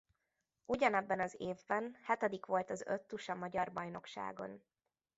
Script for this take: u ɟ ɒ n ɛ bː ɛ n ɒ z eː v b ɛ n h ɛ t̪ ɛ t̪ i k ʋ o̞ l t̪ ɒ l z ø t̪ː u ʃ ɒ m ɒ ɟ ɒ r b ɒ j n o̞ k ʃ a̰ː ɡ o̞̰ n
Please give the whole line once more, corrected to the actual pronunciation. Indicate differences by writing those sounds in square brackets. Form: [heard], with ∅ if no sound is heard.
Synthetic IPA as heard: u ɟ ɒ n ɛ bː ɛ n ɒ z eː v b ɛ n h ɛ t̪ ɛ [d̪] i k ʋ o̞ l t̪ ɒ [∅] z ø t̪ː u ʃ ɒ m ɒ ɟ ɒ r b ɒ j n o̞ k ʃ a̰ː ɡ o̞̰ n